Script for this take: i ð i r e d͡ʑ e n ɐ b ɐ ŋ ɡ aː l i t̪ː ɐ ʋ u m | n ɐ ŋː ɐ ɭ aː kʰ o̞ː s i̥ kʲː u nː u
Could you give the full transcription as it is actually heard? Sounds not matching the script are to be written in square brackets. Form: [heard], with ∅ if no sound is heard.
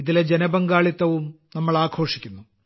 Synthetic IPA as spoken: i ð i [l] e d͡ʑ e n ɐ b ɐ ŋ ɡ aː [ɭ] i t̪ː ɐ ʋ u m | n ɐ [mː] ɐ ɭ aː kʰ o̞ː [ʂ] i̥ kʲː u nː u